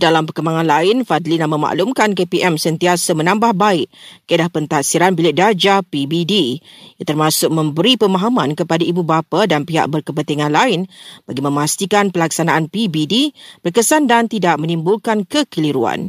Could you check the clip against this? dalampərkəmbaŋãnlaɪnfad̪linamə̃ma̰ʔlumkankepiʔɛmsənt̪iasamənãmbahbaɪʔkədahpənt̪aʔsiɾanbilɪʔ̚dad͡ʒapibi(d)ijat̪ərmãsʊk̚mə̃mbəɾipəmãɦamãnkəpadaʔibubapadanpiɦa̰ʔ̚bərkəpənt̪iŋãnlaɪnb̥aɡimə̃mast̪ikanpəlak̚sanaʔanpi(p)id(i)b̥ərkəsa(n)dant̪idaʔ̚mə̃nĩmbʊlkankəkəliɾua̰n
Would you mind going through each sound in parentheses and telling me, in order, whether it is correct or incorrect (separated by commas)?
correct, incorrect, correct, correct